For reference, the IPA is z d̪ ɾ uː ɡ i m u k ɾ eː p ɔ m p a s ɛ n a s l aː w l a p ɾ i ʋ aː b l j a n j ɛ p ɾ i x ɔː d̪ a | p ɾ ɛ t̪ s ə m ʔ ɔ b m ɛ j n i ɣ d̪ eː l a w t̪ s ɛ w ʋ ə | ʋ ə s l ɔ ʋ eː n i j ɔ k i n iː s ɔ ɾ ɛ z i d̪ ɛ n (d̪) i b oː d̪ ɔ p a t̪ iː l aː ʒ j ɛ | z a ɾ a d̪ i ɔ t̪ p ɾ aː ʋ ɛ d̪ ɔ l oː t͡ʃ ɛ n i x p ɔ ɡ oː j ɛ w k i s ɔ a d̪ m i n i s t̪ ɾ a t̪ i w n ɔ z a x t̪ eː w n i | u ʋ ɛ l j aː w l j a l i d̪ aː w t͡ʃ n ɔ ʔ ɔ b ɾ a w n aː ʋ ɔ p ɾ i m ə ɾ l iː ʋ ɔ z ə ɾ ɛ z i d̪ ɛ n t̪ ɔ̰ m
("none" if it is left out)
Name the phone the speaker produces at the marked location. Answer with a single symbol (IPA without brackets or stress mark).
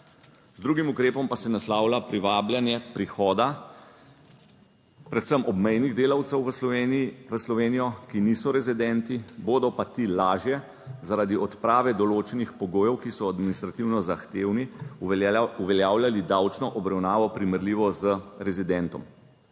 t̪